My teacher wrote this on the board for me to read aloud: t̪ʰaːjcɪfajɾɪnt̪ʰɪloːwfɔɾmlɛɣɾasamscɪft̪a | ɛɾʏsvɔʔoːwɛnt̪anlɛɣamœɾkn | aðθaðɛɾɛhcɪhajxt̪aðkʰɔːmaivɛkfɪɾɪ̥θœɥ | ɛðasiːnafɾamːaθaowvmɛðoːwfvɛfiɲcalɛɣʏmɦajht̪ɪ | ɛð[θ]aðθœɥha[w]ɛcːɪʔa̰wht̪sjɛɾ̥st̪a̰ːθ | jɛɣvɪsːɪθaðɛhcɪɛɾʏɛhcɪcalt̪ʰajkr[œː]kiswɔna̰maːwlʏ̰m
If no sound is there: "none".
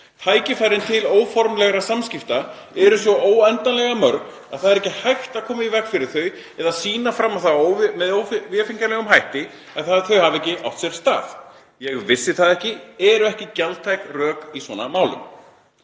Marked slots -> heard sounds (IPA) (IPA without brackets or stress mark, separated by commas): θ, v, œː